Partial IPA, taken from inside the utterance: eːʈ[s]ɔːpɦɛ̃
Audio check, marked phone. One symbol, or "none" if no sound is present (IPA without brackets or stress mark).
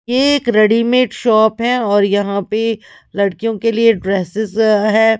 ʃ